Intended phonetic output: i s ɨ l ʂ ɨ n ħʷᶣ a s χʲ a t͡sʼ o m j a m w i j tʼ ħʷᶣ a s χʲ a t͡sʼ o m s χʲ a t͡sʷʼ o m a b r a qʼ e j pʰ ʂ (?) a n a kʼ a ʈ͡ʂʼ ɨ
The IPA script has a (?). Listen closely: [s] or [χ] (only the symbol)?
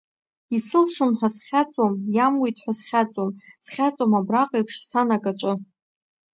s